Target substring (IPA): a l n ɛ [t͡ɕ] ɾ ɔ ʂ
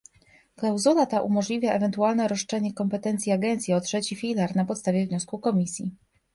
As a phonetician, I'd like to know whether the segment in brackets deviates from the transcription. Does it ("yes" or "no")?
yes